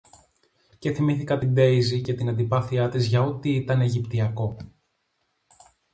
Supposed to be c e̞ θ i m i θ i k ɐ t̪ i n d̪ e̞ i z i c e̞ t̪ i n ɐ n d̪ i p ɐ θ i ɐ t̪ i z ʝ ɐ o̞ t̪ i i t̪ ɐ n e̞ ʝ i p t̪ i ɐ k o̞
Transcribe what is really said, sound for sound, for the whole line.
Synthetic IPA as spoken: c e̞ θ i m i θ i k ɐ t̪ i n d̪ e̞ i z i c e̞ t̪ i n ɐ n d̪ i p ɐ θ i ɐ t̪ i z ʝ ɐ o̞ t̪ i i t̪ ɐ n e̞ ʝ i p t̪ i ɐ k o̞